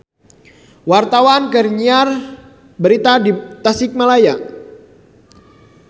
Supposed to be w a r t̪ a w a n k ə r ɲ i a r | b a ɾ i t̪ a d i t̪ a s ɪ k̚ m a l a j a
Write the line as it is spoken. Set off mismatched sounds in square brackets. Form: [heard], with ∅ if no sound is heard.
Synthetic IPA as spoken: w a r t̪ a w a n k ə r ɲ i a r | b [ə] ɾ i t̪ a d i t̪ a s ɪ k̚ m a l a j a

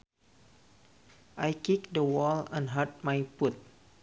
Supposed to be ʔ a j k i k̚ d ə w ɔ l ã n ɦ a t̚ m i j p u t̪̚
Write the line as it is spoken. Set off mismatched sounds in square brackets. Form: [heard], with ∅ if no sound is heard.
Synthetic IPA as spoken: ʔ a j k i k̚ d ə w ɔ l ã n ɦ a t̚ m [a] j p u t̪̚

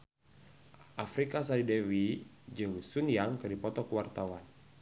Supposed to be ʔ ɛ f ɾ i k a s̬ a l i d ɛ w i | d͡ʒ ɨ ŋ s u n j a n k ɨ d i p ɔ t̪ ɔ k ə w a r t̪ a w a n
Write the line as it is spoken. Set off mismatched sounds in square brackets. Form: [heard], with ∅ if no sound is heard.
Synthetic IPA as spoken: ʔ [a] f ɾ i k a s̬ a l i d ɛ w i | d͡ʒ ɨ ŋ s u n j a [ŋ] k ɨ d i p ɔ t̪ ɔ k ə w a r t̪ a w a n

